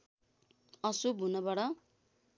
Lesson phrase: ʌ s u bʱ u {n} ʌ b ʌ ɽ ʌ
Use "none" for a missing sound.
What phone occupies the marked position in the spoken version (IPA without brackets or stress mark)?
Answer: n